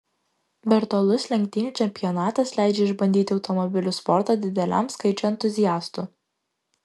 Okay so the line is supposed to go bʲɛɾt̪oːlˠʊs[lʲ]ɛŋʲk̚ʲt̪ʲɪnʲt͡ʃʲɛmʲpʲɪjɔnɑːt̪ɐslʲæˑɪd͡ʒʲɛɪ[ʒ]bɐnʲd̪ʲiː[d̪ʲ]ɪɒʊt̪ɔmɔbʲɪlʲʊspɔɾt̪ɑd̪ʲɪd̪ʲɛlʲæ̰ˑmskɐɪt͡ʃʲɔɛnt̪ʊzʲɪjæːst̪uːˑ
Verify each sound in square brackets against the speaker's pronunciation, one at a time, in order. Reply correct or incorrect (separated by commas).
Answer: correct, correct, incorrect